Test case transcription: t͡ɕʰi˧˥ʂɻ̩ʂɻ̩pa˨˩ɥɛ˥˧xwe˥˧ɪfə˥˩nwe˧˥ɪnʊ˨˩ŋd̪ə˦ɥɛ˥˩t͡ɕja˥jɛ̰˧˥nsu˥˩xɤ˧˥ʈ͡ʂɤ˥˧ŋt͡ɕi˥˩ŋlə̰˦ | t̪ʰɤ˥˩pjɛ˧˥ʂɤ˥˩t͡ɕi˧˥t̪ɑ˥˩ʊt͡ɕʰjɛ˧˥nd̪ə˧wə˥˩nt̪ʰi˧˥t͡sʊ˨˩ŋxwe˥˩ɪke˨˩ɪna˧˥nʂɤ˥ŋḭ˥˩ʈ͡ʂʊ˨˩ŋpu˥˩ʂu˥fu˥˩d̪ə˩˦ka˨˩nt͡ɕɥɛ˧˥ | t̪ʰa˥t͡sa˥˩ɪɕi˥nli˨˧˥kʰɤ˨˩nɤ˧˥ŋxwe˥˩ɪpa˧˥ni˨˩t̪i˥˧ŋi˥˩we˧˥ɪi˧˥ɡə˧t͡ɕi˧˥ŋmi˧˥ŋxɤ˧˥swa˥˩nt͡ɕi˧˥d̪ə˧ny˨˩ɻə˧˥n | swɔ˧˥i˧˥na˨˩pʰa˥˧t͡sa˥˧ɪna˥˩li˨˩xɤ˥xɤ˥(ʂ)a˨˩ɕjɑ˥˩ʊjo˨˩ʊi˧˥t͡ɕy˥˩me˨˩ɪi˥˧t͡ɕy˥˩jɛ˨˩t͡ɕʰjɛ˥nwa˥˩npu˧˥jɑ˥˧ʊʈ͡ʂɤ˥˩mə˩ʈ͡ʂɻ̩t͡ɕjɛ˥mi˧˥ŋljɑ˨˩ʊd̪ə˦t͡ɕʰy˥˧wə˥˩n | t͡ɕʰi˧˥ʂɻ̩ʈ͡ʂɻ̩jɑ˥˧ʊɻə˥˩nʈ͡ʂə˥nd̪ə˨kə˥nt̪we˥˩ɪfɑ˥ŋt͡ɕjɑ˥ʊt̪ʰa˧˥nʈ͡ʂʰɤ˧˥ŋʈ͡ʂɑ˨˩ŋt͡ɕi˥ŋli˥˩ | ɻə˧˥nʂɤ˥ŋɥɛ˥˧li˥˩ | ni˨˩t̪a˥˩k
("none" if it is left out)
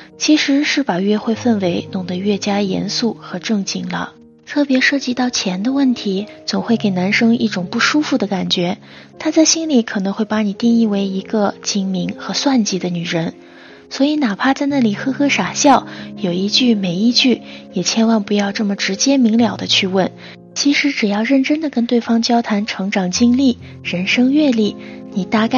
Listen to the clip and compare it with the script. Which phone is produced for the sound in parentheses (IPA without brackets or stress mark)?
ʂ